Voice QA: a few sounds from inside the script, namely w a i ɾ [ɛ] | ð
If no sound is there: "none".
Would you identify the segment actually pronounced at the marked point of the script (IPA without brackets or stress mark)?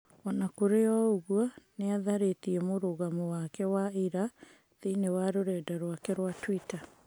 a